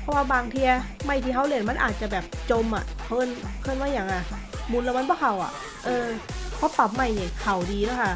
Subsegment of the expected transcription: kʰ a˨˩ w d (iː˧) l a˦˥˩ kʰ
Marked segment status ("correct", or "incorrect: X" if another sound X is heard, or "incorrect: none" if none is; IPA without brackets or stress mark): correct